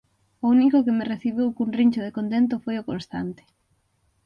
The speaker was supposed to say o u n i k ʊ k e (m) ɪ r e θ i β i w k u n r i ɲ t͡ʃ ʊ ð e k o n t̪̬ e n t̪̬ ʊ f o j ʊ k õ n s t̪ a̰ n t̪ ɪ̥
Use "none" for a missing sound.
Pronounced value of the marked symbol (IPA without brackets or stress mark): m